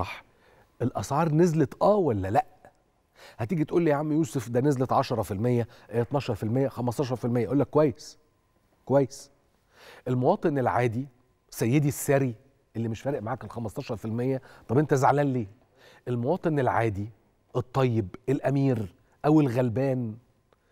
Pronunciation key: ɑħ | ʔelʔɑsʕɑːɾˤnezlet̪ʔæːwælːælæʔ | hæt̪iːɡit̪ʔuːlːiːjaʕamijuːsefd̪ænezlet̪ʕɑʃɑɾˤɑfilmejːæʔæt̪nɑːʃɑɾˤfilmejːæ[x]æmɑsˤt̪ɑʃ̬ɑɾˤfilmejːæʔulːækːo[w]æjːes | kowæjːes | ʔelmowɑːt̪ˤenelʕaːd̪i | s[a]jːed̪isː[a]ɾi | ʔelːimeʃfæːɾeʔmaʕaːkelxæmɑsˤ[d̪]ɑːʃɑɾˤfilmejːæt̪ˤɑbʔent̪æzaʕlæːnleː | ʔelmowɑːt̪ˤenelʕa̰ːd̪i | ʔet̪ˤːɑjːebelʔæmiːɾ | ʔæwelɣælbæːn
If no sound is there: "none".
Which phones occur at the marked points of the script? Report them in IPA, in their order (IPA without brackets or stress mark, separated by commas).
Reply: x, w, æ, æ, t̪